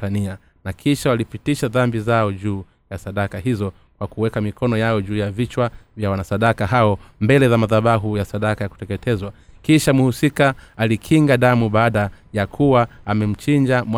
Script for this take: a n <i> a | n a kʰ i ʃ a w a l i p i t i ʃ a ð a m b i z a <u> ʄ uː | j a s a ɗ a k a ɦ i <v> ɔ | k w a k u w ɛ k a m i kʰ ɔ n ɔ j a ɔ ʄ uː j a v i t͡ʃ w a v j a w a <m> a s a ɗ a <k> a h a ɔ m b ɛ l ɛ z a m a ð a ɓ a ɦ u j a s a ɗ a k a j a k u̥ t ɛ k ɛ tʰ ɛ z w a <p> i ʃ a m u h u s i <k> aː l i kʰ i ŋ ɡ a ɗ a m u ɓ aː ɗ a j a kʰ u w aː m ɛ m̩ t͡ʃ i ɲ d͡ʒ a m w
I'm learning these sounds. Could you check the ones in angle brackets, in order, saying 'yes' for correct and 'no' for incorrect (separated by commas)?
yes, no, no, no, yes, no, yes